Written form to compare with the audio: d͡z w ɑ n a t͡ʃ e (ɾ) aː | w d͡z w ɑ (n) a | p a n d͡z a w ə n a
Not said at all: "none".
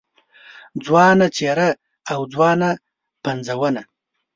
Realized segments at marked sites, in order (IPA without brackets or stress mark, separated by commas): ɾ, n